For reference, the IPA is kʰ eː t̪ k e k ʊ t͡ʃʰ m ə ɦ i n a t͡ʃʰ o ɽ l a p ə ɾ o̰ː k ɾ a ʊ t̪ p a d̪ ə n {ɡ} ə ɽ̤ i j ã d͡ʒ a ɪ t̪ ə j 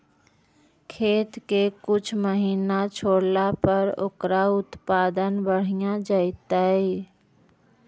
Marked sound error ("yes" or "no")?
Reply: yes